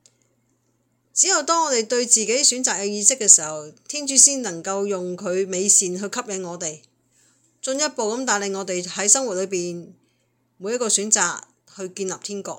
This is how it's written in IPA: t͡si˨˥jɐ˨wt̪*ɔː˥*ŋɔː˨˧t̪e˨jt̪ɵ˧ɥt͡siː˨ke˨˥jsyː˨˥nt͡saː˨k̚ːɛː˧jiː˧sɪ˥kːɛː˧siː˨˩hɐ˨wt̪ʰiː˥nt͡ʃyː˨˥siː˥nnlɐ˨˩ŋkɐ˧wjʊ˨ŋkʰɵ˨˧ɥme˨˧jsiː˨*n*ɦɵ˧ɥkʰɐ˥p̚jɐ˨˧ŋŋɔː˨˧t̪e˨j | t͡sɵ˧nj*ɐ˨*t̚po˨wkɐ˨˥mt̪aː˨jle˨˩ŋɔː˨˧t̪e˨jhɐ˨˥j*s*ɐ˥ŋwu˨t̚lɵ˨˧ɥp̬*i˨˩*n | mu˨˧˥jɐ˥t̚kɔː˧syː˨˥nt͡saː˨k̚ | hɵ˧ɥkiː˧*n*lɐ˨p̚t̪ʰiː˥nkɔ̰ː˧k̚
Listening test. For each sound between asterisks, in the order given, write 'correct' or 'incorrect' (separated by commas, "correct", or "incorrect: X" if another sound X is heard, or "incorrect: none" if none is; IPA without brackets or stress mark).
correct, correct, incorrect: ɐ˥, correct, incorrect: iː˨˩, correct